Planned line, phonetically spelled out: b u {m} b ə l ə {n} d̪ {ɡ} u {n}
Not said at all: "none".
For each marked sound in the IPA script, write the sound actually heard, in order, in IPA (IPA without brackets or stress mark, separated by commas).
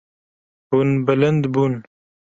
n, n, b, n